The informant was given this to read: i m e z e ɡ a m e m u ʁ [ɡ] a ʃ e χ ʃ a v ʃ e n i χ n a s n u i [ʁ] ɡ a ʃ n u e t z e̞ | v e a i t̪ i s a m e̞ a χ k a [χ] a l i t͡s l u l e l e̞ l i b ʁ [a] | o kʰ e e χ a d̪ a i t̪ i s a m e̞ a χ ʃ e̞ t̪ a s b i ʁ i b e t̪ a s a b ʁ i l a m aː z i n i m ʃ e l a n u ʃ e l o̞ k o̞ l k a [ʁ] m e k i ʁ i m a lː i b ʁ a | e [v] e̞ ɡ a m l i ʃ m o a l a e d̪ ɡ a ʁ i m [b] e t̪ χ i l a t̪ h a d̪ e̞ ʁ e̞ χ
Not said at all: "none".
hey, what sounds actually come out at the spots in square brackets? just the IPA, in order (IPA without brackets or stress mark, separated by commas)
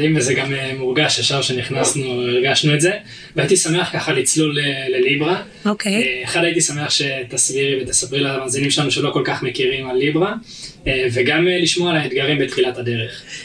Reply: ɡ, ʁ, χ, a, χ, v, b